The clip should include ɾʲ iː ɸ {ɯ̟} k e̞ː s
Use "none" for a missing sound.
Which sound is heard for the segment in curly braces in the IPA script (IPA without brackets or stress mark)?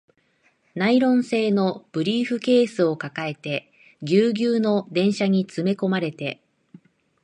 ɯ̟